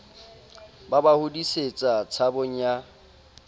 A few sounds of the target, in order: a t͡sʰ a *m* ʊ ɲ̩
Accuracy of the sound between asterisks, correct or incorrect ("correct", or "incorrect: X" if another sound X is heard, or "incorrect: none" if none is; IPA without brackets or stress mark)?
incorrect: b